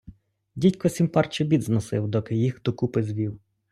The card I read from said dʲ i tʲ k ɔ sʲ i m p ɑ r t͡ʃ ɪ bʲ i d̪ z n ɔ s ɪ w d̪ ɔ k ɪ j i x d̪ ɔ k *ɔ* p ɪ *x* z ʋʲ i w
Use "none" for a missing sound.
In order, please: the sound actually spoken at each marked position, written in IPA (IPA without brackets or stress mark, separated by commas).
u, none